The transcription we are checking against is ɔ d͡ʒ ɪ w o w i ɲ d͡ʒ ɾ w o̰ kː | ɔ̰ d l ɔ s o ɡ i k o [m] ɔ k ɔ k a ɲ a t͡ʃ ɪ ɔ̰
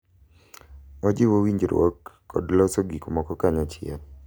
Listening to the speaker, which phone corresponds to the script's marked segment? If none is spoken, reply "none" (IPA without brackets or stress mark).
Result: m